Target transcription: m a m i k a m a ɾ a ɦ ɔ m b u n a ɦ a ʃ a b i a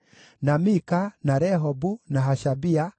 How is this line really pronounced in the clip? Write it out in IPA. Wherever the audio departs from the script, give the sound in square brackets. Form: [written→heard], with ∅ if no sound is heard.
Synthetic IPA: [m→n] a m i k a [m→n] a ɾ [a→ɛ] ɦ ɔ [m→∅] b u n a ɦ a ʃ a b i a